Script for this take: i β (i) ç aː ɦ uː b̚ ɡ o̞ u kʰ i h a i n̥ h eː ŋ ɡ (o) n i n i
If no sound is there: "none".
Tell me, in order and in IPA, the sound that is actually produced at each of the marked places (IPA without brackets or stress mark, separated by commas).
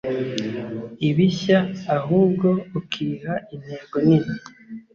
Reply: i, o